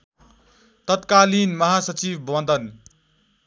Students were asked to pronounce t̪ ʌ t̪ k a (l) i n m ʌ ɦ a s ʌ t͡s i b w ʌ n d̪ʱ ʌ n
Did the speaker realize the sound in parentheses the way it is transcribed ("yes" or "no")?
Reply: yes